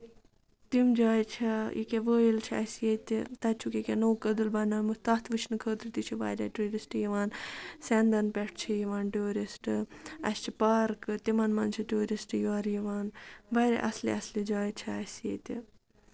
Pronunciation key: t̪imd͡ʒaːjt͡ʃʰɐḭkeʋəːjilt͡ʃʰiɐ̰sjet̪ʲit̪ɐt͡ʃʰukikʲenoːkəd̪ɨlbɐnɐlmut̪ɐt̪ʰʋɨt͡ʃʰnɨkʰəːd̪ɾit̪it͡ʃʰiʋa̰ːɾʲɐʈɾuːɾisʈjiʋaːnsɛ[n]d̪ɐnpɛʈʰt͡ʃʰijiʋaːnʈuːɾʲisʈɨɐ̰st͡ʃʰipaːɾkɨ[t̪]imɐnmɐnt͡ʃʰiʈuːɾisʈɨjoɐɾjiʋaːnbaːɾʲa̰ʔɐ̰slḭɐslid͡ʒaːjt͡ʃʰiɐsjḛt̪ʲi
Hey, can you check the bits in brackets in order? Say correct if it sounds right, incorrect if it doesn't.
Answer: correct, correct

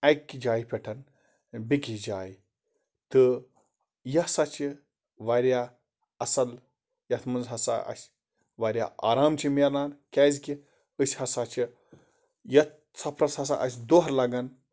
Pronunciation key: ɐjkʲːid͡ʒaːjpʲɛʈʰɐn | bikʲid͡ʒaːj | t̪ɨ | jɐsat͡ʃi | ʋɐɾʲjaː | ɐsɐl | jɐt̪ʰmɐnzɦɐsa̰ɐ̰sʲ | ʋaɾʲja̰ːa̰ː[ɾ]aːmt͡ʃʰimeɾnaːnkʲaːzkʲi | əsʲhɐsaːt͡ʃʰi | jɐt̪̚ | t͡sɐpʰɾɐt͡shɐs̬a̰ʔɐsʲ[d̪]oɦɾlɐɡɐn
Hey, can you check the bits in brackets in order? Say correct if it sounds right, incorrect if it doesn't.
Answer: correct, correct

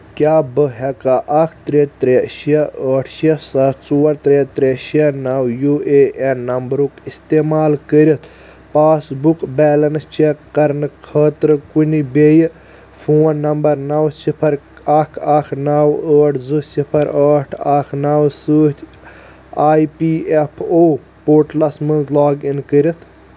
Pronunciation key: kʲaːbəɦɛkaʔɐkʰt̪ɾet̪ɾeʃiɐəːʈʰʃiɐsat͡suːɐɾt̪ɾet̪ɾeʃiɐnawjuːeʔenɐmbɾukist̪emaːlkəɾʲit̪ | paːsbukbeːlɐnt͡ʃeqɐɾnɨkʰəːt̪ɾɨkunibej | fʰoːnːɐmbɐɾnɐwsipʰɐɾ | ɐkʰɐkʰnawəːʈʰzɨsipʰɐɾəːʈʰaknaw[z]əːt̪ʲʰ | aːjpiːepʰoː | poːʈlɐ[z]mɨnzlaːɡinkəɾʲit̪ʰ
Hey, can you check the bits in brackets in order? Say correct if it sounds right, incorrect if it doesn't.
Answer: incorrect: s, incorrect: s

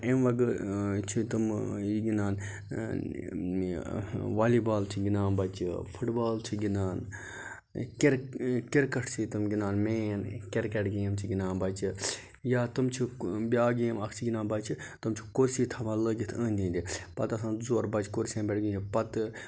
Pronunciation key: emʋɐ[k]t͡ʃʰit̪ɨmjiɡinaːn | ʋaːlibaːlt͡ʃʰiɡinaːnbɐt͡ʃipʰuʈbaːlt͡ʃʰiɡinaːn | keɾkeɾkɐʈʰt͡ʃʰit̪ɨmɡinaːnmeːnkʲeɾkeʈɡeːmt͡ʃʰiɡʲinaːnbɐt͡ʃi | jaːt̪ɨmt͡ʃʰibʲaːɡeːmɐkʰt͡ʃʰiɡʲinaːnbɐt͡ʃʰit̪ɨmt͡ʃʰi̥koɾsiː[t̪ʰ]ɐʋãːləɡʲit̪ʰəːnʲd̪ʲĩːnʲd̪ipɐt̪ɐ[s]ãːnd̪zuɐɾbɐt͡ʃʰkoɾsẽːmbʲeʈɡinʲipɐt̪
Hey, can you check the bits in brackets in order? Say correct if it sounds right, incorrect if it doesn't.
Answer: incorrect: ɡ, correct, correct

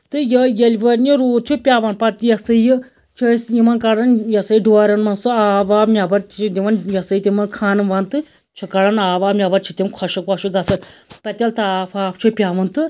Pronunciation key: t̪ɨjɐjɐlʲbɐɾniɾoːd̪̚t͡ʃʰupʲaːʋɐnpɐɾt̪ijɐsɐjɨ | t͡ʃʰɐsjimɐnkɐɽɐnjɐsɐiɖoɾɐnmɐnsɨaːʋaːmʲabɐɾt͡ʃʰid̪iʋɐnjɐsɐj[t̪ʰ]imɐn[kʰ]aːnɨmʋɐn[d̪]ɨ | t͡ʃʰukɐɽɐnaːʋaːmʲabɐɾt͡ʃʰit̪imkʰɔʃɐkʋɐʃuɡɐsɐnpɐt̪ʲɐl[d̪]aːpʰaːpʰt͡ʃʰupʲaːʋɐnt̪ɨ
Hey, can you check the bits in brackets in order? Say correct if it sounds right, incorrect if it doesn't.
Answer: incorrect: t̪, correct, incorrect: t̪, incorrect: t̪

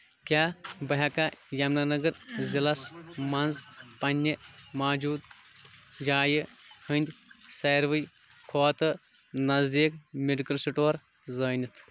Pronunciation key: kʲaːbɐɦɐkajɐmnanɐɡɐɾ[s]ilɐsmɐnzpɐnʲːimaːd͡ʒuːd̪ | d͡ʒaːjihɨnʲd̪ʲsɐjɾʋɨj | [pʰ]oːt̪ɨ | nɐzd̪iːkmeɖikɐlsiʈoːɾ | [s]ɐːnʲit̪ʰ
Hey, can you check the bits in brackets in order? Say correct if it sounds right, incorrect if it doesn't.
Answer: incorrect: z, incorrect: kʰ, incorrect: z

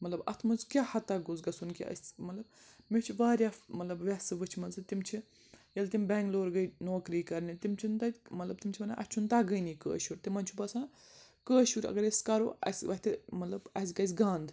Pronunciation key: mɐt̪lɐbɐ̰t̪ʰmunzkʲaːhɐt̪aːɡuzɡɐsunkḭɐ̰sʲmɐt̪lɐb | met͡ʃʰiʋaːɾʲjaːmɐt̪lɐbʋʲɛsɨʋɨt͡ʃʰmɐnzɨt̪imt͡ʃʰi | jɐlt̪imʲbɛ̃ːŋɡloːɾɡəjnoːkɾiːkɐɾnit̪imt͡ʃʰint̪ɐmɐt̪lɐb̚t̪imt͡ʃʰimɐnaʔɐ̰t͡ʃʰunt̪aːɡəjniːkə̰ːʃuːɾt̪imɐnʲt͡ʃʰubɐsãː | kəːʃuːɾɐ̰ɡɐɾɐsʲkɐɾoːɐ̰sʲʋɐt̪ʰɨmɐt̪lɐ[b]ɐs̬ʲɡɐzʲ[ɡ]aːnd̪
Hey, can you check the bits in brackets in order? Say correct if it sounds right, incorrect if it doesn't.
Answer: correct, correct

